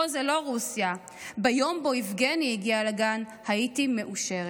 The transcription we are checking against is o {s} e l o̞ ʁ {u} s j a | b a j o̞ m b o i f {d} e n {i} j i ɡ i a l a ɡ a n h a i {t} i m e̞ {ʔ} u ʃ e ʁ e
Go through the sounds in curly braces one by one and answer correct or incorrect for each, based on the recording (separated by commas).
incorrect, correct, incorrect, correct, correct, correct